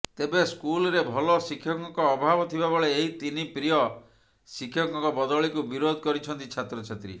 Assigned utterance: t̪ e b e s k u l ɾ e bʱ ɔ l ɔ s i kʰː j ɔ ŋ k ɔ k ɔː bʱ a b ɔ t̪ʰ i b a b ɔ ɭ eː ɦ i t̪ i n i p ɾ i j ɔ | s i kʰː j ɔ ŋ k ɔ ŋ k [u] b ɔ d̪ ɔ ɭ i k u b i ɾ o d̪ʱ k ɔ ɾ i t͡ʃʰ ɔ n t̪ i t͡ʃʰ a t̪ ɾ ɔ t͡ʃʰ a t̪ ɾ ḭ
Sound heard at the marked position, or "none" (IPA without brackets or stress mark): ɔ